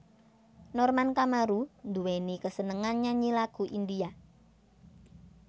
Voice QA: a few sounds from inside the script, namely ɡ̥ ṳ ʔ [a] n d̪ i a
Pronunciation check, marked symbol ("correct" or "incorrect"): incorrect